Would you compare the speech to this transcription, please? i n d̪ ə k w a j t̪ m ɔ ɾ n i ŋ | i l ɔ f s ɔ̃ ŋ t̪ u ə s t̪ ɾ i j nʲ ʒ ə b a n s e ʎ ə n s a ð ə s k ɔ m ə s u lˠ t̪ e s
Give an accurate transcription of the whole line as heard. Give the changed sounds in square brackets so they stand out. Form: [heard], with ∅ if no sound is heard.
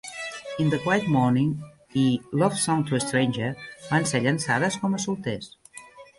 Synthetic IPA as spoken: i n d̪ ə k w a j t̪ m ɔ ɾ n i ŋ | i l ɔ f s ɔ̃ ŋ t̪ u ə s t̪ ɾ [e] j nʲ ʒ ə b a n s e ʎ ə n s a ð ə s k ɔ m ə s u lˠ t̪ e s